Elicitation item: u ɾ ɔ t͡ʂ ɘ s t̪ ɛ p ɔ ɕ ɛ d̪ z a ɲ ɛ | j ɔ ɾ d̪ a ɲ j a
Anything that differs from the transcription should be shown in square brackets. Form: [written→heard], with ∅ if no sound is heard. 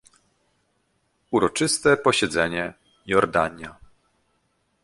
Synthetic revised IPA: u ɾ ɔ t͡ʂ ɘ s t̪ ɛ p ɔ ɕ ɛ d̪ z [a→ɛ] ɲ ɛ | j ɔ ɾ d̪ a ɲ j a